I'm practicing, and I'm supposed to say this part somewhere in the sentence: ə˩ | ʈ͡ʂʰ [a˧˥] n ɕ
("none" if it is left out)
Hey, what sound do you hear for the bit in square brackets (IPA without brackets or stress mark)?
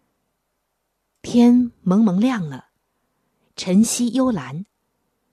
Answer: ə˧˥